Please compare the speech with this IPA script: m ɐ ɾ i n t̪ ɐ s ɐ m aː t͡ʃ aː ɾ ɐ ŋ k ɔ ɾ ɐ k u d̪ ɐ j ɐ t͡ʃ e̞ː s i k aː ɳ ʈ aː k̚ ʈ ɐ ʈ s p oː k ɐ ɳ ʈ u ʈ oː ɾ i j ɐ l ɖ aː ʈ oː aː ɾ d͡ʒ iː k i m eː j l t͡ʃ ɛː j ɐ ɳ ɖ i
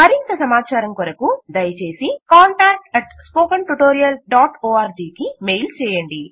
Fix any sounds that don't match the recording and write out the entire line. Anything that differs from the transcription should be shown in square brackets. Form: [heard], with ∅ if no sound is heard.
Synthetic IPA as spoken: m ɐ ɾ i n t̪ ɐ s ɐ m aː t͡ʃ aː ɾ ɐ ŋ k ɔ ɾ ɐ k u d̪ ɐ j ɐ t͡ʃ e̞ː s i k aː ɳ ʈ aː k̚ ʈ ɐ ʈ s p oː k ɐ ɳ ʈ u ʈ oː ɾ i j ɐ l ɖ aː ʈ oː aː ɾ d͡ʒ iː k i m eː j l t͡ʃ ɛː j ɐ ɳ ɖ i